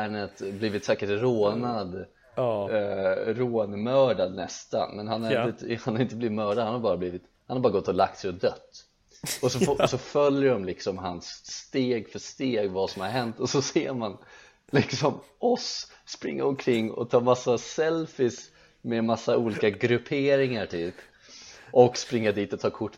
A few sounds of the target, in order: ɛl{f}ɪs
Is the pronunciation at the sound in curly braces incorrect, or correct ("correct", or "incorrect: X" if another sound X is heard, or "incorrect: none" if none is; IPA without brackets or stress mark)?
correct